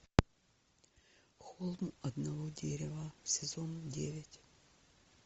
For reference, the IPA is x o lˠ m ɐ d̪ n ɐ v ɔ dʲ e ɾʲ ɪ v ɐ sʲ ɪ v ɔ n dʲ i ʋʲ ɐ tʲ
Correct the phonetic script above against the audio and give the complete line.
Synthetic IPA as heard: x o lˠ m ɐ d̪ n ɐ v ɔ dʲ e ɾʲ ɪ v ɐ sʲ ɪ z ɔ n dʲ e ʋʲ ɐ tʲ